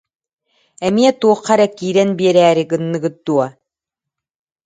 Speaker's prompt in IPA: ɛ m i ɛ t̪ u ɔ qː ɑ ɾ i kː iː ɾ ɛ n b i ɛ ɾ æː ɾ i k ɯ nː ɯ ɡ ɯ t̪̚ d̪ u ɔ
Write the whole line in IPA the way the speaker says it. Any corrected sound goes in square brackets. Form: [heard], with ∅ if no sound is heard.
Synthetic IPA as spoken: ɛ m i ɛ t̪ u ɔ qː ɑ ɾ [ɛ] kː iː ɾ ɛ n b i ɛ ɾ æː ɾ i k ɯ nː ɯ ɡ ɯ t̪̚ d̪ u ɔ